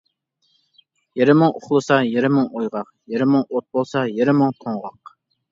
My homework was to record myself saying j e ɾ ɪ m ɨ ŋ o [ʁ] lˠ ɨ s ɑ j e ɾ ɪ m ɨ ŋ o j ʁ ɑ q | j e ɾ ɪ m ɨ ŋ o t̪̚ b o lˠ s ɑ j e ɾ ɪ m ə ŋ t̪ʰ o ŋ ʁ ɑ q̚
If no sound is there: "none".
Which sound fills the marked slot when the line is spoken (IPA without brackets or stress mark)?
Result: χ